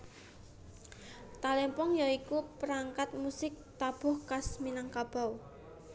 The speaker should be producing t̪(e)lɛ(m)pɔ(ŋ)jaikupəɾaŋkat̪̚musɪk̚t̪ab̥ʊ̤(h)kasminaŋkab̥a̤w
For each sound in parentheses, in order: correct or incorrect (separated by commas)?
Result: incorrect, correct, correct, correct